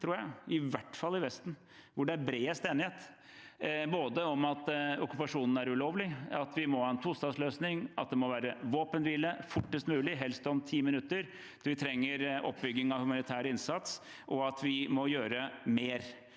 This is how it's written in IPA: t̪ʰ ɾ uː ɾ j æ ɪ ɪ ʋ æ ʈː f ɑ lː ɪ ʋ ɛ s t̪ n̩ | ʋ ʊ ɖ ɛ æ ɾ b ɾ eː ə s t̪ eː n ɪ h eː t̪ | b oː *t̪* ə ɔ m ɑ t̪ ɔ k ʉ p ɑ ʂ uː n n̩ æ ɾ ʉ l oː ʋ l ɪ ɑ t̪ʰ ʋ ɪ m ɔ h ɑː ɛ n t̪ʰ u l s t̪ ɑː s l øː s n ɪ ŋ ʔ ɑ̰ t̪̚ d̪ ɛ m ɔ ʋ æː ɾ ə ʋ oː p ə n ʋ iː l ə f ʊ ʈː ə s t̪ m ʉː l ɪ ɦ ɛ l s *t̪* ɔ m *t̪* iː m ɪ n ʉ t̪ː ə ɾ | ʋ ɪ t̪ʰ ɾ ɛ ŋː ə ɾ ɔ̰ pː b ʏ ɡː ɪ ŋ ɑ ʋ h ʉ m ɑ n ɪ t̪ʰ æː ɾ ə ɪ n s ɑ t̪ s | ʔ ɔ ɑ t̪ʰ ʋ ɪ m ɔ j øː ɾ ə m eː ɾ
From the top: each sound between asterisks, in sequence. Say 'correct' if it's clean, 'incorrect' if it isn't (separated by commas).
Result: incorrect, correct, incorrect